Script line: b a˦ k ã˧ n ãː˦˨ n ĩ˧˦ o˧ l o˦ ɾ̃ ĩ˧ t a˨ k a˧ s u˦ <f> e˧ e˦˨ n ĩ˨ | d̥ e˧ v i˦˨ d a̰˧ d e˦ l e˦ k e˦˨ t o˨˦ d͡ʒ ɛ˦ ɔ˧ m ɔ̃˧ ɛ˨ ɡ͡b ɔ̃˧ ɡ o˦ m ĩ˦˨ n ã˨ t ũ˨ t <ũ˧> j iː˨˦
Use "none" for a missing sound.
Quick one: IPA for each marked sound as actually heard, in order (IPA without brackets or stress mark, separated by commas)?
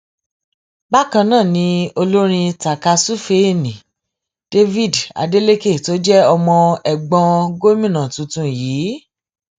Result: f, ũ˧